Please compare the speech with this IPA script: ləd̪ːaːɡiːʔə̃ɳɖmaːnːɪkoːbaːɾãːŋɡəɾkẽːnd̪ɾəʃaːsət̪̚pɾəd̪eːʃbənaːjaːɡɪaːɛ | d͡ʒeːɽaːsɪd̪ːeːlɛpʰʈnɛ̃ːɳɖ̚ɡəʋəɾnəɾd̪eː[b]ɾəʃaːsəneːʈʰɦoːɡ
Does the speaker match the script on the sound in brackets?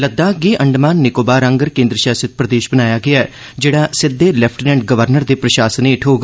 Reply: no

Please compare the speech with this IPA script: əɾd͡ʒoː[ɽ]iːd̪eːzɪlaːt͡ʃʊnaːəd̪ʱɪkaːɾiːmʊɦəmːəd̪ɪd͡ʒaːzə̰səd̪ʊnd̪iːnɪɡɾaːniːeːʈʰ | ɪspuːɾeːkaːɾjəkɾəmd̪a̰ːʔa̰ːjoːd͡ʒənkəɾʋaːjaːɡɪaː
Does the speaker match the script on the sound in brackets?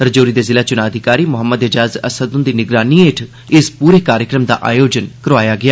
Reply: no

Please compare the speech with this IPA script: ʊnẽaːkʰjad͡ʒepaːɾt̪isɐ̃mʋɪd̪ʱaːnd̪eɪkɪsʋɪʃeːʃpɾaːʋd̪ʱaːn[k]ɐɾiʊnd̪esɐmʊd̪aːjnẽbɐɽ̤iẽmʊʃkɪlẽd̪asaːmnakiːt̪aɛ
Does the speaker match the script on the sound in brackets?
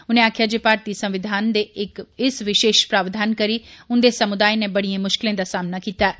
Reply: yes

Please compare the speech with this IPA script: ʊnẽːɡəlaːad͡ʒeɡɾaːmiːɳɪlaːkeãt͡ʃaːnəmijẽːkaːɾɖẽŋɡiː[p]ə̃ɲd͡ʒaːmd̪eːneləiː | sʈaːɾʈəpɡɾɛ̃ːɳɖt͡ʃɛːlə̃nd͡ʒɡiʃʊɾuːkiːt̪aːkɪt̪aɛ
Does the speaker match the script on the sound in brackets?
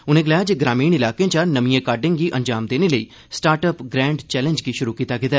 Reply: no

